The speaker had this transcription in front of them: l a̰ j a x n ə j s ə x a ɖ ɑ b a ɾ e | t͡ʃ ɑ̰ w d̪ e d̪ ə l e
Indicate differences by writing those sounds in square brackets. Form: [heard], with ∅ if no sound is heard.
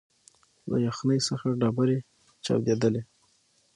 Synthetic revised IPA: l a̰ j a x n ə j s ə x a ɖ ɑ b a ɾ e | t͡ʃ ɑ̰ w d̪ e d̪ ə l e